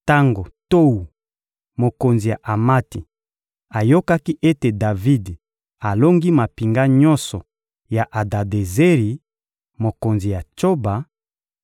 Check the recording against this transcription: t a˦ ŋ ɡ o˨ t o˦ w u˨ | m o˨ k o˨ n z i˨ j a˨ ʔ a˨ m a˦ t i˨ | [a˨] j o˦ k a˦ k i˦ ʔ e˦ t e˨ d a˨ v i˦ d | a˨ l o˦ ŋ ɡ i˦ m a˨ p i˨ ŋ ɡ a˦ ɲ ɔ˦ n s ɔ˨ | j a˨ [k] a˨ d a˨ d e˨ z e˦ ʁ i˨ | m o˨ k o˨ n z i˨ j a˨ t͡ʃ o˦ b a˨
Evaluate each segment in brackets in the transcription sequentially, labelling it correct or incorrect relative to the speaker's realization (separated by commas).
correct, incorrect